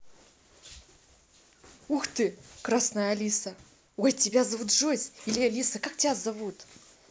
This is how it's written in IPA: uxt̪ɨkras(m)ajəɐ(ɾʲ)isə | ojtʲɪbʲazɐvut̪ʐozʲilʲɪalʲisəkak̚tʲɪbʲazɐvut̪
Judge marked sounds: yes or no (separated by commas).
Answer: no, no